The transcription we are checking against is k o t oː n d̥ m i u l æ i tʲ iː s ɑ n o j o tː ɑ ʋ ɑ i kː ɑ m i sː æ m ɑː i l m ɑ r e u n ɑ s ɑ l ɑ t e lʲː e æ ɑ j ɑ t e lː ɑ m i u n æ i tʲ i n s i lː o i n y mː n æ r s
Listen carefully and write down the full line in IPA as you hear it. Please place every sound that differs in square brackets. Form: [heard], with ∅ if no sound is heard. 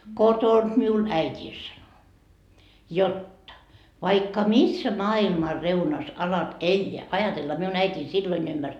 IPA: k o t [o] n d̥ m i u l æ i tʲ iː s ɑ n o j o tː ɑ ʋ ɑ i kː ɑ m i sː æ m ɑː i l m ɑ r e u n ɑ s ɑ l ɑ t e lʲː e æ ɑ j ɑ t e lː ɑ m i u n æ i tʲ [iː] n s i lː o i n y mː [m] æ r s